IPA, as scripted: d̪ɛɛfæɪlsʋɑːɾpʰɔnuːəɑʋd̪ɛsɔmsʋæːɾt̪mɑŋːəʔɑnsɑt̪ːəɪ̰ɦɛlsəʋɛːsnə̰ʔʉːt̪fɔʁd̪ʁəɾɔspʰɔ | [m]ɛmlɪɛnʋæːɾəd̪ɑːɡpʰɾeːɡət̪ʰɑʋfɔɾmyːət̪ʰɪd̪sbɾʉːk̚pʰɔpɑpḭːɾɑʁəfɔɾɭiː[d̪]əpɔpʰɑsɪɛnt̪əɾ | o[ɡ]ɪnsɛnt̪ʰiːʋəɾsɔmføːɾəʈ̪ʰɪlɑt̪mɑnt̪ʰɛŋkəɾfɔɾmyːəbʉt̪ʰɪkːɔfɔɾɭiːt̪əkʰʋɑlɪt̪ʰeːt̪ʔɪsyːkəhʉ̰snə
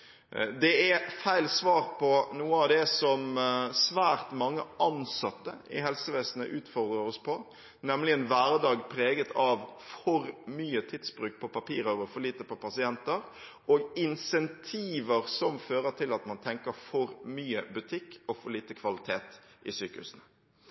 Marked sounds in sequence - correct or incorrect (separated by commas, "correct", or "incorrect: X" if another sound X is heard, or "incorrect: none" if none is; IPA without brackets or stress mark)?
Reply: incorrect: n, incorrect: t̪, correct